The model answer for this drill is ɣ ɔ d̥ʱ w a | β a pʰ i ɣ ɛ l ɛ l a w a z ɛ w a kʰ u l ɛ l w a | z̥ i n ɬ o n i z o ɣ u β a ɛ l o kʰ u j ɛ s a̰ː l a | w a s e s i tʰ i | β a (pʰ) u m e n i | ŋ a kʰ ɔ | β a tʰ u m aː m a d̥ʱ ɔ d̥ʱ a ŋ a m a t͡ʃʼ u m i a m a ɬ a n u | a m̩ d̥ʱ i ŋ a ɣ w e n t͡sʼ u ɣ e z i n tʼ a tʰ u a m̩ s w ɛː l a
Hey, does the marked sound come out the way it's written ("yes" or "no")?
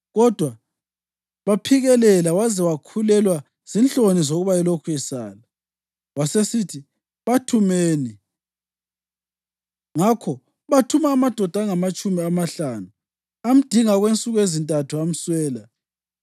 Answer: no